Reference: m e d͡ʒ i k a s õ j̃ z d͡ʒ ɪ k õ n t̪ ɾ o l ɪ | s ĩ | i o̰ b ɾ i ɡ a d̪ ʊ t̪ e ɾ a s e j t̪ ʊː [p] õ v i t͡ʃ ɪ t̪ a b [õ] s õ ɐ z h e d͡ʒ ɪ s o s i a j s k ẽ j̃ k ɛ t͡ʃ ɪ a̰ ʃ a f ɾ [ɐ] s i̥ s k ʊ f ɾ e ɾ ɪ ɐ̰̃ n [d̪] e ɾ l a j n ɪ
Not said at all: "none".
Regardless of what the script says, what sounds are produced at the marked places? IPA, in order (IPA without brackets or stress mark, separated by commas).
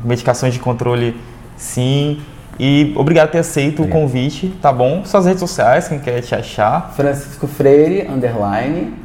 k, õ, ɐ̃, d̪